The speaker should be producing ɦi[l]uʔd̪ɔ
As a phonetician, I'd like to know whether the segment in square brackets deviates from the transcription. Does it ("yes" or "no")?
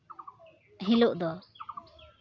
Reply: no